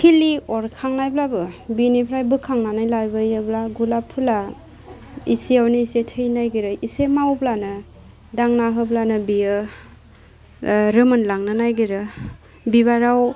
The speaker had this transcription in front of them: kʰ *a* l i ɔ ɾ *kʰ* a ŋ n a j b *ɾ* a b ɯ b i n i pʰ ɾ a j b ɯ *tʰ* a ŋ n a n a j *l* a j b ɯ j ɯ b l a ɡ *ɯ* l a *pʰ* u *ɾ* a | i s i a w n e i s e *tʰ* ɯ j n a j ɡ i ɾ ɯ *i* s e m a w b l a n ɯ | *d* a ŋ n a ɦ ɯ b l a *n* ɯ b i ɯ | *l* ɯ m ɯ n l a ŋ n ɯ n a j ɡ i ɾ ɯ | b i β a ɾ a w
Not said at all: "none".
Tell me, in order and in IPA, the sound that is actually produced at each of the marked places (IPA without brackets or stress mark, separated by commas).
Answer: i, kʰ, l, kʰ, l, u, pʰ, l, tʰ, i, d, n, ɾ